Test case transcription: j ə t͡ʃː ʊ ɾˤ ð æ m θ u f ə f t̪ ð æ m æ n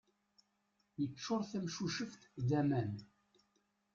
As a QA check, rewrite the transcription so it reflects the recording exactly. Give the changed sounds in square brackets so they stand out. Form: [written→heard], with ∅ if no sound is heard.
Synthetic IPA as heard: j ə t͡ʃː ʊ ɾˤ [ð→θ] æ m [θ→ʃ] u [f→ʃ] ə f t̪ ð æ m æ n